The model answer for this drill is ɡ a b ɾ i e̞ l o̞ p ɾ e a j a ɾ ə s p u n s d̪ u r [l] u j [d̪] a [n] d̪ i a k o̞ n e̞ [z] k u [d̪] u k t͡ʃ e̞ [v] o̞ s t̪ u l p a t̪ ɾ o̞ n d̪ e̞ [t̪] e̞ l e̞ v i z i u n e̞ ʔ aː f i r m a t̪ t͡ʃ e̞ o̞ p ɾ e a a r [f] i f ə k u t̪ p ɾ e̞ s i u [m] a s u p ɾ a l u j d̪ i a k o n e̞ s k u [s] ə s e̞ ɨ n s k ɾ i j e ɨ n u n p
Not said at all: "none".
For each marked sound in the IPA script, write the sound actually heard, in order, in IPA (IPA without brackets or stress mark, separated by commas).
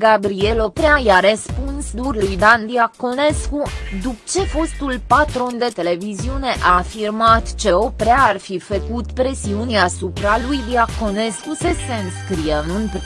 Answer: l, d̪, n, s, d̪, f, t̪, f, n, s